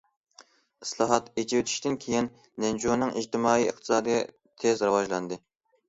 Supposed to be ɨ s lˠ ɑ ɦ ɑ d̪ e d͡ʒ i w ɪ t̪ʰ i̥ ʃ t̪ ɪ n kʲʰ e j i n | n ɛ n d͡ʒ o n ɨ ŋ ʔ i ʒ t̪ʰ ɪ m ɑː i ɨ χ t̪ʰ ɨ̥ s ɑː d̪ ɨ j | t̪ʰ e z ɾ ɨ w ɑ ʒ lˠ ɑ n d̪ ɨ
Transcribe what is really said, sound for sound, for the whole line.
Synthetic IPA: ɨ s lˠ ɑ ɦ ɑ t̪ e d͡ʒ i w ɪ t̪ʰ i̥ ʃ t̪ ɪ n kʲʰ e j i n | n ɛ n d͡ʒ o n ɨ ŋ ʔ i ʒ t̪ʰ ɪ m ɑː i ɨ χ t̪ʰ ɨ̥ s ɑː d̪ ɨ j | t̪ʰ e z ɾ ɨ w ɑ ʒ lˠ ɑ n d̪ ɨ